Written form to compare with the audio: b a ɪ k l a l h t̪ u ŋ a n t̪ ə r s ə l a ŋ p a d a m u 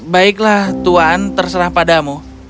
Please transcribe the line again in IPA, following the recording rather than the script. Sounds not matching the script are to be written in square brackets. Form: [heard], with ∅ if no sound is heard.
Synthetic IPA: b a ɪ k l a [∅] h t̪ u [∅] a n t̪ ə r s ə [ɾ] a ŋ p a d a m u